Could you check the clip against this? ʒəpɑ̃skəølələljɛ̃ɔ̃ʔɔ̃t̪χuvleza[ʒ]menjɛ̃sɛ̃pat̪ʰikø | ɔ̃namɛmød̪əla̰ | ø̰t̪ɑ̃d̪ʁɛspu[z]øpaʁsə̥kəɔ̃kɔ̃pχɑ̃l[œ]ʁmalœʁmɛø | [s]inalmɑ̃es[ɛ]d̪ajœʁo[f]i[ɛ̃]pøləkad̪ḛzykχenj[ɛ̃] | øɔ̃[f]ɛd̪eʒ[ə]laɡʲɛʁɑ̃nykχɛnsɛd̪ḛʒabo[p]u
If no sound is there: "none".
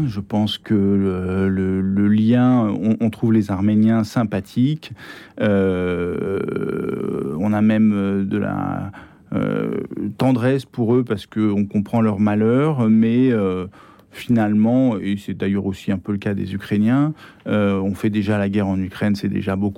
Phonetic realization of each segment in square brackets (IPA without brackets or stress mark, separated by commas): ʁ, ʁ, œ, f, ɛ, s, ɛ̃, ɛ̃, f, a, k